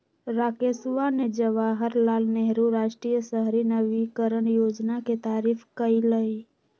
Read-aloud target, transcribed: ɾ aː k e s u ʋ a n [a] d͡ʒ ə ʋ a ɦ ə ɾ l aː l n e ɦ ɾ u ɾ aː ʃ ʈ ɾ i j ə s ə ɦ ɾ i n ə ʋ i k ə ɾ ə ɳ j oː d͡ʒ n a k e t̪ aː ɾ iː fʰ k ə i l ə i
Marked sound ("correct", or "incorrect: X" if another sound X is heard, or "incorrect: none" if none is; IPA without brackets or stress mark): incorrect: e